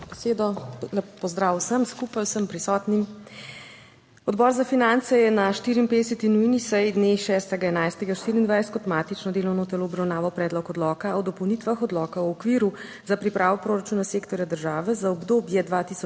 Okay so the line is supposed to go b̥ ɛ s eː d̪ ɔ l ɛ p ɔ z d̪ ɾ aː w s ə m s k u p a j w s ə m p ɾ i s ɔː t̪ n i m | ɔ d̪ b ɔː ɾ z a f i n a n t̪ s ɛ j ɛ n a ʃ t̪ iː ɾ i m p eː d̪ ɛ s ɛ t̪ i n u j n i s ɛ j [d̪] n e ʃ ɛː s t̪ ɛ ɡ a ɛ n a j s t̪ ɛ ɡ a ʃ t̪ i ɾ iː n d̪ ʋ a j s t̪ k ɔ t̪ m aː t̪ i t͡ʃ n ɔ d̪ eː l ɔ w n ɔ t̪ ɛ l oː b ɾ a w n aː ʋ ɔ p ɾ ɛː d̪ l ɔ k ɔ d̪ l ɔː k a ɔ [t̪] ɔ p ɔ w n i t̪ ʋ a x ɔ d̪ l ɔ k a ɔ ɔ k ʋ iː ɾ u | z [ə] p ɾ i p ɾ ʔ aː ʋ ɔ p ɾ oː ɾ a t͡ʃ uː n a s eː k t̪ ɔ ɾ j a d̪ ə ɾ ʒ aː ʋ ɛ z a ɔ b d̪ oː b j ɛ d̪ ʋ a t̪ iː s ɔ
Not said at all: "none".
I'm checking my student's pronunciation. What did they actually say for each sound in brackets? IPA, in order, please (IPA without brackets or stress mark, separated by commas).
d̪, d̪, a